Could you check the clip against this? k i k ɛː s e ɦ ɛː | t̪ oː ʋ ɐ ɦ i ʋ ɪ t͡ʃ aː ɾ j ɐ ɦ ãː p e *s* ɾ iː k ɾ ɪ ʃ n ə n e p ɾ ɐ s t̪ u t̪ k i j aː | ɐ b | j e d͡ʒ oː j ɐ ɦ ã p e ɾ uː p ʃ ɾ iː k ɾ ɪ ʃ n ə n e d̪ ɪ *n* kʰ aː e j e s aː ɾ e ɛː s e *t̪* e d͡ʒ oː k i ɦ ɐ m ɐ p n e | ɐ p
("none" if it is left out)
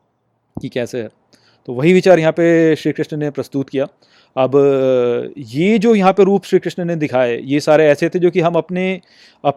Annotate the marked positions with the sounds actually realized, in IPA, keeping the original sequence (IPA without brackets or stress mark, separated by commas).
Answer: ʃ, none, t̪ʰ